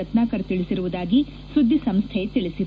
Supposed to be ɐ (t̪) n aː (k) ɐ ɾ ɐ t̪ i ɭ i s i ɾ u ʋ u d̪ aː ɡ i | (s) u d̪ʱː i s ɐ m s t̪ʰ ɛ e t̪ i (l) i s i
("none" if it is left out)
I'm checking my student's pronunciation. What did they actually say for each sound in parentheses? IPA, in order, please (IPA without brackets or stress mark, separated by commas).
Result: t̪, k, s, ɭ